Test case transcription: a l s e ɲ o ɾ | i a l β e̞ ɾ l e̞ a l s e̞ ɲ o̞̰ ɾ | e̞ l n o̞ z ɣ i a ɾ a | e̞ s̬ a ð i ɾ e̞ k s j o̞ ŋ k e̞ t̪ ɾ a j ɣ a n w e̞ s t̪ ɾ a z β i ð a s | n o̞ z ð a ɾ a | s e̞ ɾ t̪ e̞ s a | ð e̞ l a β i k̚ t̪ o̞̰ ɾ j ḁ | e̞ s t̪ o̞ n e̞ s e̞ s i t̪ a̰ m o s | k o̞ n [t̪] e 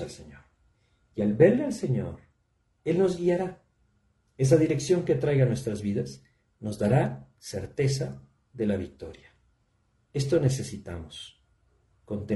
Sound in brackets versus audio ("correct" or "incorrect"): correct